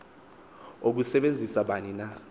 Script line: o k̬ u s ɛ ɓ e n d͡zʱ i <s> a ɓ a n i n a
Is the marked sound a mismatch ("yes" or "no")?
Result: no